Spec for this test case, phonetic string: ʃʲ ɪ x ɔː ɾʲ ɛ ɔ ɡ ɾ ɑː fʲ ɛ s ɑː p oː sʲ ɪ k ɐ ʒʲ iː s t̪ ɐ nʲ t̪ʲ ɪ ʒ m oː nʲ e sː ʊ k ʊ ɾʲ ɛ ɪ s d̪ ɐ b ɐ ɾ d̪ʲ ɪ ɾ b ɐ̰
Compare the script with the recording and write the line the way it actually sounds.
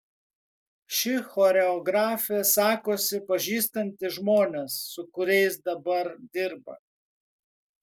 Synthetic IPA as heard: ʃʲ ɪ x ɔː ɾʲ ɛ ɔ ɡ ɾ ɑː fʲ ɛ s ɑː k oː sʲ ɪ p ɐ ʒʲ iː s t̪ ɐ nʲ t̪ʲ ɪ ʒ m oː nʲ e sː ʊ k ʊ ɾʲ ɛ ɪ s d̪ ɐ b ɐ ɾ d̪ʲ ɪ ɾ b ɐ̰